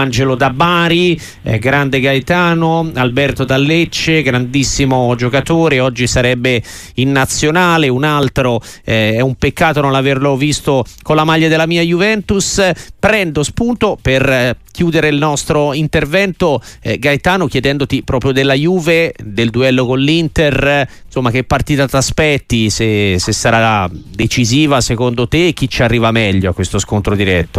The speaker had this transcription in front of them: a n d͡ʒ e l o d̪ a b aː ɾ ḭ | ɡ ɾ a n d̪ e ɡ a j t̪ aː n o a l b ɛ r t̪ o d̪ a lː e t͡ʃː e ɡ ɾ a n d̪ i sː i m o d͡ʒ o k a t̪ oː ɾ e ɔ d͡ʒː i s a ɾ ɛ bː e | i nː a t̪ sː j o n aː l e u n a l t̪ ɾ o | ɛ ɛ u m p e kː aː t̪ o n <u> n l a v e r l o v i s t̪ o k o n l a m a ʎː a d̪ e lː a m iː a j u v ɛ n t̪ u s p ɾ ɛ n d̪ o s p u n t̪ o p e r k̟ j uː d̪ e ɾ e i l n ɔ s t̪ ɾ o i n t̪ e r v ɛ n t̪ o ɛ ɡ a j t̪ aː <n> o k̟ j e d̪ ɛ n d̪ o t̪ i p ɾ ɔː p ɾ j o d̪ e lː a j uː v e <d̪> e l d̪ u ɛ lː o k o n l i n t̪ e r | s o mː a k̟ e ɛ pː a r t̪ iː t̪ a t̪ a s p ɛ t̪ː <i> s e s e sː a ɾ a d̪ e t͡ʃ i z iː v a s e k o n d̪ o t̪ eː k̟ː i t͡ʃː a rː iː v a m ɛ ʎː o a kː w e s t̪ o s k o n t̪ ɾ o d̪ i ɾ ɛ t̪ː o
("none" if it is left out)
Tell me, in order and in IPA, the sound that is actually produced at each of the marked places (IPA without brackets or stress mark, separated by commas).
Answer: o, n, d̪, i